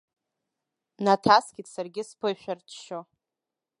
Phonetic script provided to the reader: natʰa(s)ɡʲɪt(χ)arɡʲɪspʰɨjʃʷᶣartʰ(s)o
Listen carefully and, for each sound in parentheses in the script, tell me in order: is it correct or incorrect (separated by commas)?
correct, incorrect, incorrect